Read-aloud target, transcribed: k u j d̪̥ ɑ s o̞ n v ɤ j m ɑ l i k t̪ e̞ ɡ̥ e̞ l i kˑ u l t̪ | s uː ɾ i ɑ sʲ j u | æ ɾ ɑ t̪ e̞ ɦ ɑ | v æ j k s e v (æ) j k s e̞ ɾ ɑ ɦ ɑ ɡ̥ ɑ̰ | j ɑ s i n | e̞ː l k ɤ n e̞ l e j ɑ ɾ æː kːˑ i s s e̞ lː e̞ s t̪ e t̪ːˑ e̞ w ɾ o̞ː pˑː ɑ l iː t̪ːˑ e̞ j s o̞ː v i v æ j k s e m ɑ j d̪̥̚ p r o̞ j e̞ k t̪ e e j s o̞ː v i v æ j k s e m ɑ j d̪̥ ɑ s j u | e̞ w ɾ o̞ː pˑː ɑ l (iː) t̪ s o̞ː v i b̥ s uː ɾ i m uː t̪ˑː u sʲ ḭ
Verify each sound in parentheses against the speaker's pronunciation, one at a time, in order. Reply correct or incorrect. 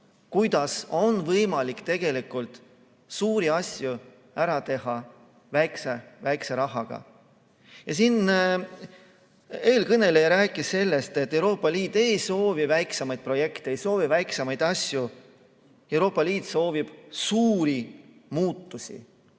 correct, correct

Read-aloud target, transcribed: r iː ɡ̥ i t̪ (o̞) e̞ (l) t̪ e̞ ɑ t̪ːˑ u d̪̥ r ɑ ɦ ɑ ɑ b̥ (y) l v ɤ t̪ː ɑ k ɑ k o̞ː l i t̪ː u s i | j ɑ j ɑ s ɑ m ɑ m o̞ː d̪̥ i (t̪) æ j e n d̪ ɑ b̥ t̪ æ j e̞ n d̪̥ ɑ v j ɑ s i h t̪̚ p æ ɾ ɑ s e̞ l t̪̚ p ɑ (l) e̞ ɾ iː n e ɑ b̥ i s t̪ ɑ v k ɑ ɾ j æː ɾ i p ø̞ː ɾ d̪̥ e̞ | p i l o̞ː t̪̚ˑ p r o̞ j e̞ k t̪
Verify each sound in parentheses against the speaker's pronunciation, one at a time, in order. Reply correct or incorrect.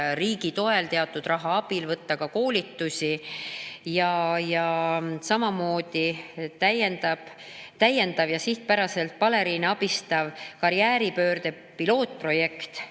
correct, correct, incorrect, correct, correct

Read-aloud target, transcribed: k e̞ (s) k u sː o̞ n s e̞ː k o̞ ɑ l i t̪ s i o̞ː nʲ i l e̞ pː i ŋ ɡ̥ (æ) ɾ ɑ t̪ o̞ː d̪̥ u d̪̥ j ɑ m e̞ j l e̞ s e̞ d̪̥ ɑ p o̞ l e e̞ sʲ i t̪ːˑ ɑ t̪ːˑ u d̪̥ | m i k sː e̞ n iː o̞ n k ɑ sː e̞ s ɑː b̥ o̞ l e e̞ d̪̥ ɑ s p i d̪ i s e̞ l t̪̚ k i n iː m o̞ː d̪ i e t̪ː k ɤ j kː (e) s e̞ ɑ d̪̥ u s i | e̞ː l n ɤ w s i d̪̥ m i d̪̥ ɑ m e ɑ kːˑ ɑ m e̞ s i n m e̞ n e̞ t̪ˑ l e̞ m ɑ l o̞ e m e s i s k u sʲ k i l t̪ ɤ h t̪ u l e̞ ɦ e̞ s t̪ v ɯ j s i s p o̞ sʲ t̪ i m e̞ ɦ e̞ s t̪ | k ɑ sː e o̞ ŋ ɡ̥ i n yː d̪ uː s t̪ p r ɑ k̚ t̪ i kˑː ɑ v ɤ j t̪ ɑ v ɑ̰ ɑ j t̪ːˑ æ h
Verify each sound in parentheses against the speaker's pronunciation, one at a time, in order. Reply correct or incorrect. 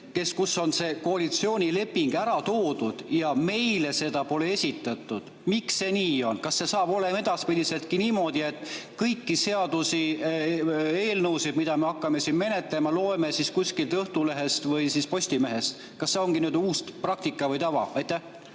correct, correct, incorrect

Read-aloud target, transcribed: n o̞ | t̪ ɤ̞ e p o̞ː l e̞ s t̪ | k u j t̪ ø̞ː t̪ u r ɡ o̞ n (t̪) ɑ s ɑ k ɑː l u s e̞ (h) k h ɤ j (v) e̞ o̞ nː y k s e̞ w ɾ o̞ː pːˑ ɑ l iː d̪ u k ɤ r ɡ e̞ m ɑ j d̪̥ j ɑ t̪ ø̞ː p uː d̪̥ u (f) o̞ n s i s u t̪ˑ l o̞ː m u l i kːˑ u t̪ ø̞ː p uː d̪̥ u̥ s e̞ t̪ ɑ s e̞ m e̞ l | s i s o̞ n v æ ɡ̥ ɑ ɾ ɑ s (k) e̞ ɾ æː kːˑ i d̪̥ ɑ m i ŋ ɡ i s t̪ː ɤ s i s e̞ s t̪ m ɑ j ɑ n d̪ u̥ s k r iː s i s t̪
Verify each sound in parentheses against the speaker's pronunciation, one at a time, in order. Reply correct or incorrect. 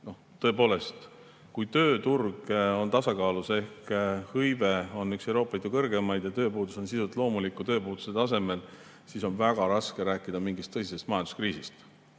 correct, correct, correct, incorrect, correct

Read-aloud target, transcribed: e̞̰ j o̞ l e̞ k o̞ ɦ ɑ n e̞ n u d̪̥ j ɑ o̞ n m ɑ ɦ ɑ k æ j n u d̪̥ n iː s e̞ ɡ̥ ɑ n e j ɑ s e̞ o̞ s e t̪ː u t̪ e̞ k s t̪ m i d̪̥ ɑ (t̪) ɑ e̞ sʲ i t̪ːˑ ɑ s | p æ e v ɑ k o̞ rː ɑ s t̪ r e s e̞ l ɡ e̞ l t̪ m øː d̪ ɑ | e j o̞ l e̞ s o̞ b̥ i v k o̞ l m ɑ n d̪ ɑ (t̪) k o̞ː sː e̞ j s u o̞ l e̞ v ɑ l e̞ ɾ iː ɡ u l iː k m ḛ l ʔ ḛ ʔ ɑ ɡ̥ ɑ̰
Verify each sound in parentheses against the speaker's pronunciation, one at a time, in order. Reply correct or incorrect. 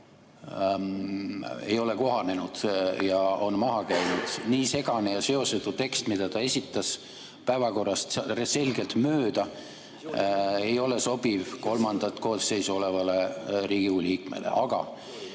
correct, correct

